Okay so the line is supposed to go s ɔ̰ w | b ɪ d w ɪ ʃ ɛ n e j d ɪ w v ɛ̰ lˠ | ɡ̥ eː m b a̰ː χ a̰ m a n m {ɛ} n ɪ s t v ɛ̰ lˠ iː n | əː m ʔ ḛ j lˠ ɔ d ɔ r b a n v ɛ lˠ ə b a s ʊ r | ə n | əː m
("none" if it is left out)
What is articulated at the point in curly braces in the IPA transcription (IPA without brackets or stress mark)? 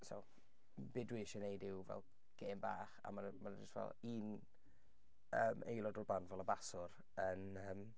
a